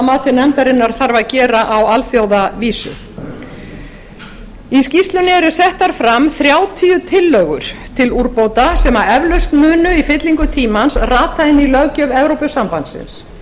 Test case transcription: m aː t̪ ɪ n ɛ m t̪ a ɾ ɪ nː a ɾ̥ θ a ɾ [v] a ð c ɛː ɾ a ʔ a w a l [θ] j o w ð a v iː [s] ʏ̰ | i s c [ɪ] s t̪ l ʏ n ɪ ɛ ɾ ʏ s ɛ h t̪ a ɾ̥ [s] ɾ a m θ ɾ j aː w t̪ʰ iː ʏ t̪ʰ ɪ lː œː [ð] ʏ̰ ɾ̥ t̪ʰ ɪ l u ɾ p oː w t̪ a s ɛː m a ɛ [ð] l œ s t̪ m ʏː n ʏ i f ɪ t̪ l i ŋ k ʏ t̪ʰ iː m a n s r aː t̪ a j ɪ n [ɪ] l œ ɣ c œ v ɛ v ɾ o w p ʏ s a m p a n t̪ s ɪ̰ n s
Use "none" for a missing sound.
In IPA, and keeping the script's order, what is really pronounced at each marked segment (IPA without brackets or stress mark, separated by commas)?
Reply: v, f, s, i, f, ɣ, v, i